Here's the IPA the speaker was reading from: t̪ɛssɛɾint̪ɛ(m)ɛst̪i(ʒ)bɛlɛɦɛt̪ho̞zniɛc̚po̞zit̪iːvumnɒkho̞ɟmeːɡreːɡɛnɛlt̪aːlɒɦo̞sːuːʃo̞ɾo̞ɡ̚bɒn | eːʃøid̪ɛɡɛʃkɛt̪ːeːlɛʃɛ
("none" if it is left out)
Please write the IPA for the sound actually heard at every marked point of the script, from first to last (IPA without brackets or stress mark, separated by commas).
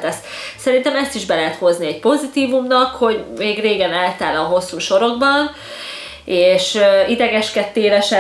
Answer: m, ʒ